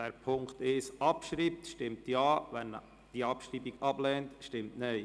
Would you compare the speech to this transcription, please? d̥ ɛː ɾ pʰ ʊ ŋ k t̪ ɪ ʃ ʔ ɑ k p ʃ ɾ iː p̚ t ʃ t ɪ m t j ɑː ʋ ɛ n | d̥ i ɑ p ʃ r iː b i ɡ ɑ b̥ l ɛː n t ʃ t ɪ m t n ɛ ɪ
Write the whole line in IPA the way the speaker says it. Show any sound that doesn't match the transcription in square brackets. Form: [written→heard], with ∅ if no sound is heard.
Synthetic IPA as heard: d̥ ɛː ɾ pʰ ʊ ŋ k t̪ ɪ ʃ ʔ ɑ [k→∅] p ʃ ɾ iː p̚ t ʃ t ɪ m t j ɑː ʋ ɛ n | d̥ i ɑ p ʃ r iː b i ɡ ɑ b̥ l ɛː n t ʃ t ɪ m t n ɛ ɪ